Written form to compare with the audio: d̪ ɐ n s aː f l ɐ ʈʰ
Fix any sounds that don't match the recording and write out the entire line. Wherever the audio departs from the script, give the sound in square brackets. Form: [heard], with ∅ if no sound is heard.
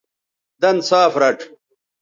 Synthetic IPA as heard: d̪ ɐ n s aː f [ɾ] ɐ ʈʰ